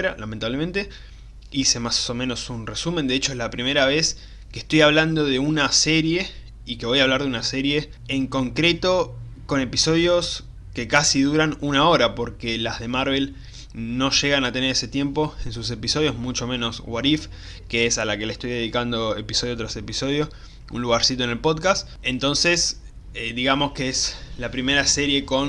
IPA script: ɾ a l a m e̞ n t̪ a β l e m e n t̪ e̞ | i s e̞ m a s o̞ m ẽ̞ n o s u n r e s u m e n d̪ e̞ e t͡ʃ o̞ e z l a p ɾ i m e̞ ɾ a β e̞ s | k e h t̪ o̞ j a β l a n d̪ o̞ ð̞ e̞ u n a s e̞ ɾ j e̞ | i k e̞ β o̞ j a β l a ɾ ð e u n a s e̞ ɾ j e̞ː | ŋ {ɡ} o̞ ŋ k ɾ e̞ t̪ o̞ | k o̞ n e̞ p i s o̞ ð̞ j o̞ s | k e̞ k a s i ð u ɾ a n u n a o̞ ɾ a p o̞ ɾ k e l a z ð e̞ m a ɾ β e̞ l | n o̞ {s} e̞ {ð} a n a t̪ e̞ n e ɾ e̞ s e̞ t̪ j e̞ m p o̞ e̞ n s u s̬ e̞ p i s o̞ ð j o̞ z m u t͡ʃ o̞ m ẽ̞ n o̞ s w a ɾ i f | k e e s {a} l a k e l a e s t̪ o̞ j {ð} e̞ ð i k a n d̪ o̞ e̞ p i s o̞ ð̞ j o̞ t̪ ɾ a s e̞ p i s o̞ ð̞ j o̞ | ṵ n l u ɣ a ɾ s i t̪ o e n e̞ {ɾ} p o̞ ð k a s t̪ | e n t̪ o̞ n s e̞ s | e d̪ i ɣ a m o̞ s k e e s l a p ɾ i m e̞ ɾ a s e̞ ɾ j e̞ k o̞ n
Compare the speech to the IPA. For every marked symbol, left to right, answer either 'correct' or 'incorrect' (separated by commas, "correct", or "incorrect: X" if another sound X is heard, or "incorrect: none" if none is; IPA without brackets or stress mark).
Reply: incorrect: k, incorrect: ʃ, incorrect: ɣ, correct, correct, incorrect: l